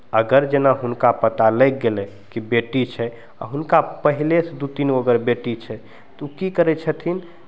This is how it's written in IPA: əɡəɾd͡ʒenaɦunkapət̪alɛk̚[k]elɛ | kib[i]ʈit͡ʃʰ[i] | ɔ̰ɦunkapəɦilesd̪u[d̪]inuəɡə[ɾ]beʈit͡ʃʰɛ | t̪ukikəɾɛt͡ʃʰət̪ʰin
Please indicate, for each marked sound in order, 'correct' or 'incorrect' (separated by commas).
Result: incorrect, incorrect, incorrect, incorrect, correct